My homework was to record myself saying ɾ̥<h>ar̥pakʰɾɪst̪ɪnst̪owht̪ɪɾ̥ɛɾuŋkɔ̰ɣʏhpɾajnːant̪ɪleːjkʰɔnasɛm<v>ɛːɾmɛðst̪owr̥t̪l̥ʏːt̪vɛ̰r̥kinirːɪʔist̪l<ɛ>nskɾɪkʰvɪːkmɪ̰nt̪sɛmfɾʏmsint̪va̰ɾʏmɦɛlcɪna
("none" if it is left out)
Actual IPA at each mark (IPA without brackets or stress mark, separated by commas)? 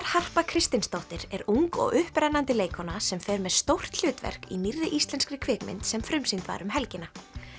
h, f, ɛ